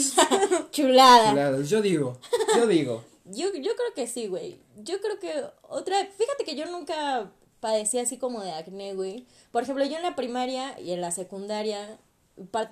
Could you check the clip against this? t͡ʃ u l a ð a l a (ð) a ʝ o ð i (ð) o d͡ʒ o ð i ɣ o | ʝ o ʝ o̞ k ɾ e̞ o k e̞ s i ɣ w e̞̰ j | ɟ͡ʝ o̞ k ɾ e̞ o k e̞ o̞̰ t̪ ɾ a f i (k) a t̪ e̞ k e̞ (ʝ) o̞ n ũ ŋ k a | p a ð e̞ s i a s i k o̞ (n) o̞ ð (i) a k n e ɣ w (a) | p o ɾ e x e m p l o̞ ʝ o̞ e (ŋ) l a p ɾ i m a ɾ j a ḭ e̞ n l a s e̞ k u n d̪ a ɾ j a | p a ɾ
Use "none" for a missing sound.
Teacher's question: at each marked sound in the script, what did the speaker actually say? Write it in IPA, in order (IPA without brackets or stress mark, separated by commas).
ð, ɣ, x, ʝ, m, e, i, n